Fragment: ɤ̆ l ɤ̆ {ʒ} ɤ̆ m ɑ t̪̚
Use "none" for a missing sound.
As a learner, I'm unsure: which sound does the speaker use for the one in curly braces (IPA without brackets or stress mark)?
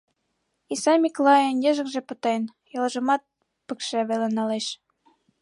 ʒ